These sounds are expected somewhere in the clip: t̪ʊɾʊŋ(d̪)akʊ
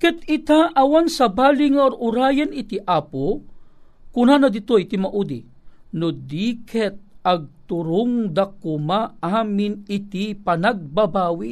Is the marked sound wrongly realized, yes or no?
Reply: no